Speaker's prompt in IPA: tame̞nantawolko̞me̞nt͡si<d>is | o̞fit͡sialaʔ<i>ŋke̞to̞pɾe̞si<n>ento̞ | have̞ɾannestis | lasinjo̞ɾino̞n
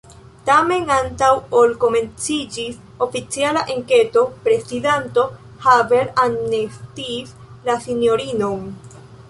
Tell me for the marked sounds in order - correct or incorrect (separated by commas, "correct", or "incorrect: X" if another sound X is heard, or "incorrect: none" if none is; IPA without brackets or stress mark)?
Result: incorrect: d͡ʒ, incorrect: e, incorrect: d